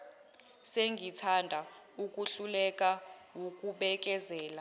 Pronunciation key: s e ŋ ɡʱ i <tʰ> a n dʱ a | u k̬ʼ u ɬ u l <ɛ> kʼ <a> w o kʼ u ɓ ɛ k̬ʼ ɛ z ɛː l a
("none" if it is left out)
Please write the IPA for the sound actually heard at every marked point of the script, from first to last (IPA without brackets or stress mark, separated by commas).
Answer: tʰ, ɛ, a